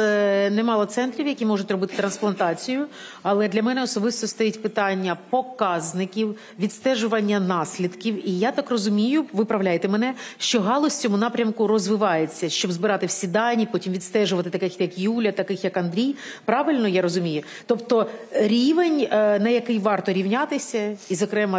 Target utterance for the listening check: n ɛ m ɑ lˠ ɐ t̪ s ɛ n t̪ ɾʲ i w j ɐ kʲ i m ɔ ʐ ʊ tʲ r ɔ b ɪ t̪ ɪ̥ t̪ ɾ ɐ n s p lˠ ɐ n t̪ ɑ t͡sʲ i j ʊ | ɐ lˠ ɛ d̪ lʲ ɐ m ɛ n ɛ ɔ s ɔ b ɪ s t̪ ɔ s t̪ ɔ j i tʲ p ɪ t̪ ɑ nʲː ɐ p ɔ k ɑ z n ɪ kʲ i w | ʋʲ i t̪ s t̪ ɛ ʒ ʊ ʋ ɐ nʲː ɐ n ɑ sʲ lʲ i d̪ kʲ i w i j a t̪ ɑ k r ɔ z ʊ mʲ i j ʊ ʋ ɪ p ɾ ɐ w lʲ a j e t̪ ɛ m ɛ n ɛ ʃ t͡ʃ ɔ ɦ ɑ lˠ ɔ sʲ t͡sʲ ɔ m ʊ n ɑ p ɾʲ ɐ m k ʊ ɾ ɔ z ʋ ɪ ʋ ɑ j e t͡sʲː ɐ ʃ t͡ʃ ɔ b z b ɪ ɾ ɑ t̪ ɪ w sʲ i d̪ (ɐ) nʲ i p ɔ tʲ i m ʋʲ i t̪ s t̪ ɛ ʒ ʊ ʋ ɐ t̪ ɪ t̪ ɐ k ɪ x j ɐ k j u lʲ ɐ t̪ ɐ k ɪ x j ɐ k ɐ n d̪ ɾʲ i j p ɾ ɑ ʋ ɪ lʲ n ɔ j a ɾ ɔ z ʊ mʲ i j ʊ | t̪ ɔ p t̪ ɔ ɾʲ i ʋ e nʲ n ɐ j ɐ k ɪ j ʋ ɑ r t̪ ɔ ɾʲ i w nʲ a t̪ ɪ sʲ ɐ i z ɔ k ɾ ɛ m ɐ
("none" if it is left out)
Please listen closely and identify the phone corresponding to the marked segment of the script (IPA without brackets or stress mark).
ɑ